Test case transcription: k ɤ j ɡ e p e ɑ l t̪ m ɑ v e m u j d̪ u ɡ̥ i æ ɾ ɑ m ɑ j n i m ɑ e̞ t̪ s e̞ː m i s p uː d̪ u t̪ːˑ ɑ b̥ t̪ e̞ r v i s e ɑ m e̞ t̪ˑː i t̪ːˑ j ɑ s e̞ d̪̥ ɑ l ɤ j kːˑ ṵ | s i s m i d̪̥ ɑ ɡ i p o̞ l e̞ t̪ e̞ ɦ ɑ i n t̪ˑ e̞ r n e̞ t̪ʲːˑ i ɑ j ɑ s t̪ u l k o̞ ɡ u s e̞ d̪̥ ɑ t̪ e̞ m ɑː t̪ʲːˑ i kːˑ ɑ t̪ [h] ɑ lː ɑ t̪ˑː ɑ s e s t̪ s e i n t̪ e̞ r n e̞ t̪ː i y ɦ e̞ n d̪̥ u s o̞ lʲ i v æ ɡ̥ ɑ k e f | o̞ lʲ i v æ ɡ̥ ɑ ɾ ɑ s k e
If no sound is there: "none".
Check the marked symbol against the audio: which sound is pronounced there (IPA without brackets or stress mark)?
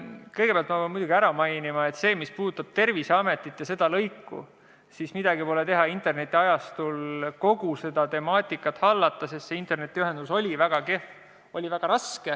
h